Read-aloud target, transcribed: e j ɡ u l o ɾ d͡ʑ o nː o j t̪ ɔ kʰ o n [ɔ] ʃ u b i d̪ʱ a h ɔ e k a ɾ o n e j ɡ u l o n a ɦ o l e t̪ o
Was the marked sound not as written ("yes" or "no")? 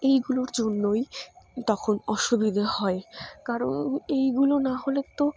no